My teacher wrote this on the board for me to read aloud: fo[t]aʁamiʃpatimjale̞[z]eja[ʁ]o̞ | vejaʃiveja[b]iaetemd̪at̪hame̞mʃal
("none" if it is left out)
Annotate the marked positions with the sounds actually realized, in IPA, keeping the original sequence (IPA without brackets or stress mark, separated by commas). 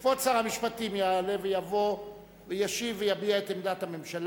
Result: t͡s, v, v, b